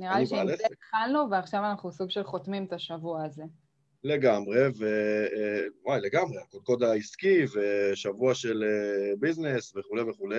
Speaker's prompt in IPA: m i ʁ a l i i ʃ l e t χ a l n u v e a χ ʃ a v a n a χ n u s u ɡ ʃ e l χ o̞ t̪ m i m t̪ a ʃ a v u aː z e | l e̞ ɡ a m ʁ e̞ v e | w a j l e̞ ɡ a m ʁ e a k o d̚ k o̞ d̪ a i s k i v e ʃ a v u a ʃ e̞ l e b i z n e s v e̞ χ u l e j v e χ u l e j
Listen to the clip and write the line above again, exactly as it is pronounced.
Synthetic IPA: n i ʁ a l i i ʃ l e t χ a l n u v e a χ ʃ a v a n a χ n u s u ɡ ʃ e l χ o̞ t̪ m i m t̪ a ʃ a v u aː z e | l e̞ ɡ a m ʁ e̞ v e | w a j l e̞ ɡ a m ʁ e a k o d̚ k o̞ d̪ a i s k i v e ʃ a v u a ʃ e̞ l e b i z n e s v e̞ χ u l e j v e χ u l e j